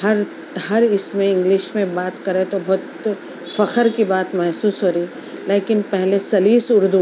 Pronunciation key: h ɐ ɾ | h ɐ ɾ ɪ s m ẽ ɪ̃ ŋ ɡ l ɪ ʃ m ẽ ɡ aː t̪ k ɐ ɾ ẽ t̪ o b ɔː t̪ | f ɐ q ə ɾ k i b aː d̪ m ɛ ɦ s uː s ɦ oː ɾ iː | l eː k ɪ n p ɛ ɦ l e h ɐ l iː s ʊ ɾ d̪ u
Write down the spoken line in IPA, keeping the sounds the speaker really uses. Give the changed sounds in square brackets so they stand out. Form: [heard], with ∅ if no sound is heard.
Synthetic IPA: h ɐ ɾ | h ɐ ɾ ɪ s m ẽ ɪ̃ ŋ ɡ l ɪ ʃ m ẽ [b] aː t̪ k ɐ ɾ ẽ t̪ o b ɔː t̪ | f ɐ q ə ɾ k i b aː [t̪] m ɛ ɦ s uː s ɦ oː ɾ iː | l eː k ɪ n p ɛ ɦ l e [s] ɐ l iː s ʊ ɾ d̪ u